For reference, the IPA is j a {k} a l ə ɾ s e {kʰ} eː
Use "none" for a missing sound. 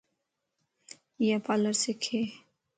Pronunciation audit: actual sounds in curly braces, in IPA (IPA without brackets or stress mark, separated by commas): p, kʰ